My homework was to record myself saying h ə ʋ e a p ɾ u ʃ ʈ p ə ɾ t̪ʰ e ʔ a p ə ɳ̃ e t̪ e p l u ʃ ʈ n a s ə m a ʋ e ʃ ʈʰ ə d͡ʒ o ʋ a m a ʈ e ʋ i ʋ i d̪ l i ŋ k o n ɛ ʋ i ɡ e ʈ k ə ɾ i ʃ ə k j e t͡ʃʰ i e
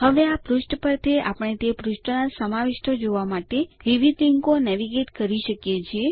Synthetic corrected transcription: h ə ʋ e a p ɾ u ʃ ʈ p ə ɾ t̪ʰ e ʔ a p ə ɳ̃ e t̪ e p ɾ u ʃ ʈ n a s ə m a ʋ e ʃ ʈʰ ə d͡ʒ o ʋ a m a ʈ e ʋ i ʋ i d̪ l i ŋ k o n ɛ ʋ i ɡ e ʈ k ə ɾ i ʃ ə k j e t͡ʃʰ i e